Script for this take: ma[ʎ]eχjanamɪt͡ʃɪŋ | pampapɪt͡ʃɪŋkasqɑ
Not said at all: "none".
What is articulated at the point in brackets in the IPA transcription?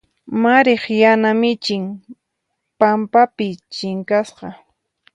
ɾ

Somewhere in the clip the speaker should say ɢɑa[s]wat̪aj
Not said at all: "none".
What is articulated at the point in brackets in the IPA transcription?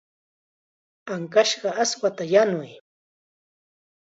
s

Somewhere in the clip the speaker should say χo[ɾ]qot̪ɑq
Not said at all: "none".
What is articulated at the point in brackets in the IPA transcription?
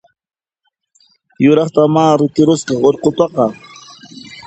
ɾ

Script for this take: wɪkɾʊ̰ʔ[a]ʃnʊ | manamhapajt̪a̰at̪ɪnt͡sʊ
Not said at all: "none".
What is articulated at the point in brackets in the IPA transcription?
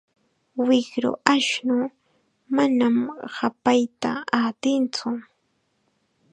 a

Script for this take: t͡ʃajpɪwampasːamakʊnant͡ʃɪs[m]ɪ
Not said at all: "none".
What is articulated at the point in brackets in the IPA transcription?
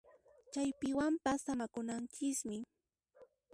m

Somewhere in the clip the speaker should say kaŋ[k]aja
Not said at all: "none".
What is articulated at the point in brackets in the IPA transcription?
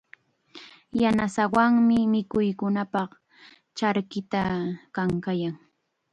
k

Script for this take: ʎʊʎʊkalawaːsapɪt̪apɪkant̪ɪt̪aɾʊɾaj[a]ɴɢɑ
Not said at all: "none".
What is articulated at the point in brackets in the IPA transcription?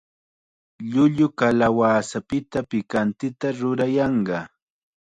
ɑ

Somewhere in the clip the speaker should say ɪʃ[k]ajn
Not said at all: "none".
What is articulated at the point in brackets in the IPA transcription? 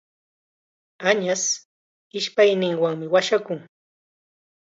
p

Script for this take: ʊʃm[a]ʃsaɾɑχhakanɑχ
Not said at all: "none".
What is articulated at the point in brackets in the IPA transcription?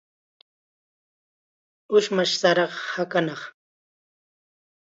a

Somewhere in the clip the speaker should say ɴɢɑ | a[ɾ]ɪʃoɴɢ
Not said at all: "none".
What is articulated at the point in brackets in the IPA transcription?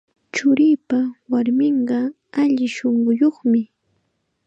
ʎ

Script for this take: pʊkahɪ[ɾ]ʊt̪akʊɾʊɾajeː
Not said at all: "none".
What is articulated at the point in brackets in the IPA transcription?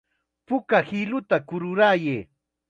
l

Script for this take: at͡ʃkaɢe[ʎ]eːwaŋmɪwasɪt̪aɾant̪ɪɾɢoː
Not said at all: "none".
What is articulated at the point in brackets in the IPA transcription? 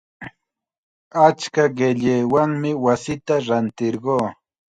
ʎ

